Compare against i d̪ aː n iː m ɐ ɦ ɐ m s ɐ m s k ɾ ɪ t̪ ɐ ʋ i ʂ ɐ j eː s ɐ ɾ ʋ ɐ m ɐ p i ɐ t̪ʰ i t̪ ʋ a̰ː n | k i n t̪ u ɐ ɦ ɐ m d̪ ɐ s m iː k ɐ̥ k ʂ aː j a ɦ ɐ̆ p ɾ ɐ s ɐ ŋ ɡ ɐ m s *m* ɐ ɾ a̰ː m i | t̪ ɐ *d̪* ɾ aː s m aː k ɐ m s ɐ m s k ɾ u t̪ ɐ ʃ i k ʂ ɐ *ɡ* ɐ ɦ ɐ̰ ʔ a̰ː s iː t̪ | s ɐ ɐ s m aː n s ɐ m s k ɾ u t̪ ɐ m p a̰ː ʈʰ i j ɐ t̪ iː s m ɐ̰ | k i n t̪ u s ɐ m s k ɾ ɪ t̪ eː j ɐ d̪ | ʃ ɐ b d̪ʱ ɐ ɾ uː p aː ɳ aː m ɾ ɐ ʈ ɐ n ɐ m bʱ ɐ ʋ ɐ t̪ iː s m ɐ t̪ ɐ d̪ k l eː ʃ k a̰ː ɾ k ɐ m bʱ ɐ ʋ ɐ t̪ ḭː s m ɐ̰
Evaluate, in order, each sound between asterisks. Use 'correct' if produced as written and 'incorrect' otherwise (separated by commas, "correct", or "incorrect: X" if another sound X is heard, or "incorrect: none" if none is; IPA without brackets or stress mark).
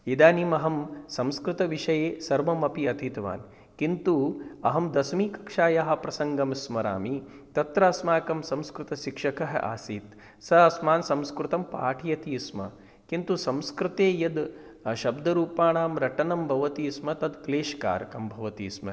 correct, incorrect: t̪, incorrect: k